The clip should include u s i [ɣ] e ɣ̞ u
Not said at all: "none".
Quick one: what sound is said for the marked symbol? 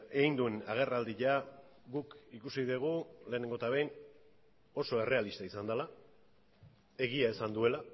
ð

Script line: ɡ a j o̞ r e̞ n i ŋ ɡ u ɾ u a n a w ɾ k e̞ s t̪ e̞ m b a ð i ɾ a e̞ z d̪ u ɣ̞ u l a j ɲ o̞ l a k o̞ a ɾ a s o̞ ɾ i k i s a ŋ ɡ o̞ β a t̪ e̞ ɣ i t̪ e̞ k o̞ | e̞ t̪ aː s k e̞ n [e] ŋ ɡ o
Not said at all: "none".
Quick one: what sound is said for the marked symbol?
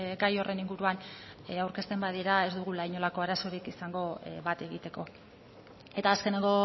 e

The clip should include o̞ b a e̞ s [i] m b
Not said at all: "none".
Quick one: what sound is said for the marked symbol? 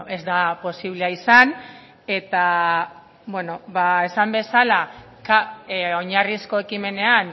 a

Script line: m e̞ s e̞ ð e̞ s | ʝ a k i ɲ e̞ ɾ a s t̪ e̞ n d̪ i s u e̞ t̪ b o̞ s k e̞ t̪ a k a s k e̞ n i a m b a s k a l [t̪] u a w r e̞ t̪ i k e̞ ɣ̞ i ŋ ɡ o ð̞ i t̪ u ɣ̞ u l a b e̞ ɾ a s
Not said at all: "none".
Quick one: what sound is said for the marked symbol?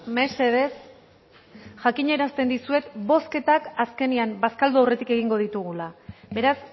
d̪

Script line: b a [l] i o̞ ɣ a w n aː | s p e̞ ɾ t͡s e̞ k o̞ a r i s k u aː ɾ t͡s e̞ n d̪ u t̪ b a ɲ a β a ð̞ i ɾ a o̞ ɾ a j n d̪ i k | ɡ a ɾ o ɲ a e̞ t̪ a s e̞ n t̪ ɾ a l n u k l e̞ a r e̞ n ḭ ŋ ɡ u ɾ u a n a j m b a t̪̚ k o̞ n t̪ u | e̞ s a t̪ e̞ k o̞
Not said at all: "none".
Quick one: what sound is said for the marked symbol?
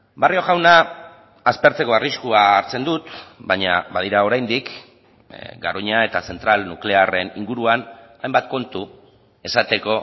r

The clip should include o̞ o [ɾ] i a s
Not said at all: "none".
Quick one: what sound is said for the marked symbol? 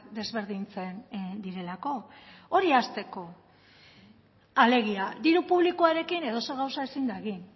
ɾ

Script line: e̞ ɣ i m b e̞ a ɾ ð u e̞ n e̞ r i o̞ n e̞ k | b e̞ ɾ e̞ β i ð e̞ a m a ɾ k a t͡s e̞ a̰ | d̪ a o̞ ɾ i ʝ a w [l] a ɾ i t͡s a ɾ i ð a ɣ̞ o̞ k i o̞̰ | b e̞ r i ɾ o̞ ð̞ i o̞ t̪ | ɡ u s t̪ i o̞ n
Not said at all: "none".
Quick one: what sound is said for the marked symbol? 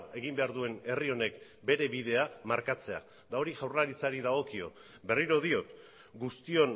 r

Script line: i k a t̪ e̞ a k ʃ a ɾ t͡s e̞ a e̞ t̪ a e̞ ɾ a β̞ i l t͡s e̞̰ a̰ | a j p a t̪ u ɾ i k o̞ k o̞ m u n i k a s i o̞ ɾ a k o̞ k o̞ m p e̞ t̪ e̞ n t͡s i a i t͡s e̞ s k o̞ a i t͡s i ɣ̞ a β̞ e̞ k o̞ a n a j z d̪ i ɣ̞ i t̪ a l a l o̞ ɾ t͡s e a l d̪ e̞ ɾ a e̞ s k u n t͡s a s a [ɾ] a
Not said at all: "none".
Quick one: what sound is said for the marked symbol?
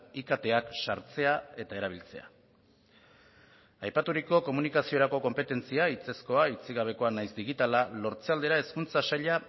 ʎ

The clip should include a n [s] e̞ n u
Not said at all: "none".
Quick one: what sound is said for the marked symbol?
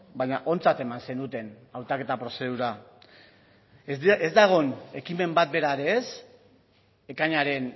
s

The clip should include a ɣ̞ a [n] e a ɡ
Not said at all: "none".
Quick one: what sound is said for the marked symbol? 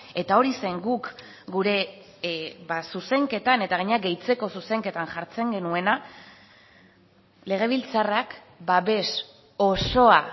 ɲ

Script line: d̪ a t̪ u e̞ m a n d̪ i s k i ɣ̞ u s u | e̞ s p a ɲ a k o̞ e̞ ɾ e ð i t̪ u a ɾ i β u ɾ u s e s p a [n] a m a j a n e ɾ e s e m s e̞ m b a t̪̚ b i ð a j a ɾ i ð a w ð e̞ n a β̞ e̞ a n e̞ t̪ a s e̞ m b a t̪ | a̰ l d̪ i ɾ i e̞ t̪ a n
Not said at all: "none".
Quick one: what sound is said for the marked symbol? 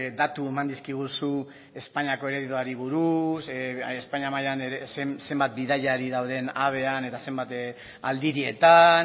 ɲ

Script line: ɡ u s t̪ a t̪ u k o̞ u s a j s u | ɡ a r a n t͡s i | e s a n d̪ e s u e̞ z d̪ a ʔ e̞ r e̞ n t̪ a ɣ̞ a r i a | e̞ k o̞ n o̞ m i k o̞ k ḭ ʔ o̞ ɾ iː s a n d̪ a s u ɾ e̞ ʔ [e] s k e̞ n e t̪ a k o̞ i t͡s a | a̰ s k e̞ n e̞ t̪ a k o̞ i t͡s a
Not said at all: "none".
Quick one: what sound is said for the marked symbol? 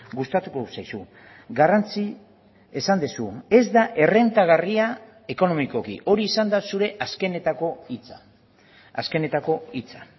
a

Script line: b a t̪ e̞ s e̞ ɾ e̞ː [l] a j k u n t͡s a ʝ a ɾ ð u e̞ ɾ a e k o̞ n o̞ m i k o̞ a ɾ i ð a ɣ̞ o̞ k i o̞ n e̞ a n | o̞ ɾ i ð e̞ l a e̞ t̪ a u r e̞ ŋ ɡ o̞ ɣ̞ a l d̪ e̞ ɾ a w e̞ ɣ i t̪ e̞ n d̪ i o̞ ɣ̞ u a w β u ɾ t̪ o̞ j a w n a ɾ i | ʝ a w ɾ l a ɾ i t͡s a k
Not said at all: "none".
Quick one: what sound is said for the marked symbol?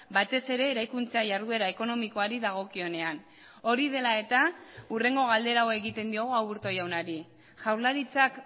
ɾ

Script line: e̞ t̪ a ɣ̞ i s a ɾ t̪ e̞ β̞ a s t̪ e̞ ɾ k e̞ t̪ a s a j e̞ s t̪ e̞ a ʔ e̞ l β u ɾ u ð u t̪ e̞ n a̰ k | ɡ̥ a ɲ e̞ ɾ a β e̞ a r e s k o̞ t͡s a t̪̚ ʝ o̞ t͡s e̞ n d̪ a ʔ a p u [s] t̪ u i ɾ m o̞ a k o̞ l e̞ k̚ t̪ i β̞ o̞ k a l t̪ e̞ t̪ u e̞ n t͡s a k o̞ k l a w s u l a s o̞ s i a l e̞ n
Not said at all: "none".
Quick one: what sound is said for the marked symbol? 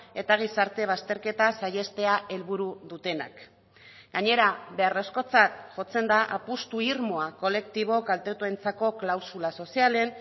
s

